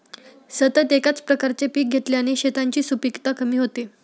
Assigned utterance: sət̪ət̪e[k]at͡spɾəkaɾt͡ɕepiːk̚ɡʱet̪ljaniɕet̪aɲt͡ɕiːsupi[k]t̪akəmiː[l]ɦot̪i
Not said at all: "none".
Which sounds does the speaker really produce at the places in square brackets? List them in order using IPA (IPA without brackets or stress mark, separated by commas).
k, k, none